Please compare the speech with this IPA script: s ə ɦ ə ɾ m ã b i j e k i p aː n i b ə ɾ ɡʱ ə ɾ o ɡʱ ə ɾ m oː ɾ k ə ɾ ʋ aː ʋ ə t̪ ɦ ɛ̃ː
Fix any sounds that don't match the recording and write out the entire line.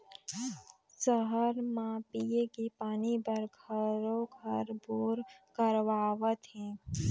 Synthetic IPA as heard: s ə ɦ ə ɾ m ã p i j e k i p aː n i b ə ɾ ɡʱ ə ɾ o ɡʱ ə ɾ b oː ɾ k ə ɾ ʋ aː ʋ ə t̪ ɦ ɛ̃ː